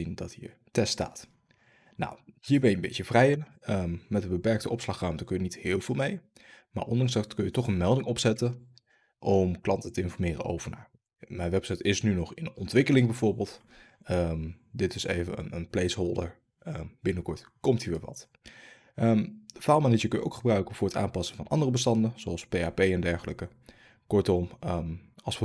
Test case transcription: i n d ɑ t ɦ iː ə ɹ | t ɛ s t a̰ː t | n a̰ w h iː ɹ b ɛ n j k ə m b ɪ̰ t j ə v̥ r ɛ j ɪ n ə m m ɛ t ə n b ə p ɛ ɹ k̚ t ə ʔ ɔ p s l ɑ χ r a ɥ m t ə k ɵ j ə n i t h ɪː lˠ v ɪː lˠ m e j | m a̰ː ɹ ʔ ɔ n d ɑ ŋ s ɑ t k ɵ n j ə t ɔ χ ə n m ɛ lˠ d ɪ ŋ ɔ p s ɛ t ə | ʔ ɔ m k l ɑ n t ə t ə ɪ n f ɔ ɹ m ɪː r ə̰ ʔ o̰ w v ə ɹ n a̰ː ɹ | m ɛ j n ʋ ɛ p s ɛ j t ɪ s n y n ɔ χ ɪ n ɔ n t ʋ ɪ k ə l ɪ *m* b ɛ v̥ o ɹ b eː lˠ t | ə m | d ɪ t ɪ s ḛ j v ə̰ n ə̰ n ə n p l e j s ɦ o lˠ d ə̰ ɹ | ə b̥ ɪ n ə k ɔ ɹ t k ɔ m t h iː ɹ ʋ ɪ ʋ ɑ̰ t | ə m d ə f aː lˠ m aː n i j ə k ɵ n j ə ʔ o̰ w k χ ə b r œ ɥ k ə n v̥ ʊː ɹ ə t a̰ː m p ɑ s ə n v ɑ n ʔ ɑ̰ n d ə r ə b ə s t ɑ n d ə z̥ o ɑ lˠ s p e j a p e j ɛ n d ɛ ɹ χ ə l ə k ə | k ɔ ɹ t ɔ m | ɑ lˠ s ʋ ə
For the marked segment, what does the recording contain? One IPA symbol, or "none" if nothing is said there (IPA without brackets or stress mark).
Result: ŋ